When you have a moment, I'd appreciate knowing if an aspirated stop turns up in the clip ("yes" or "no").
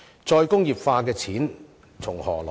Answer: yes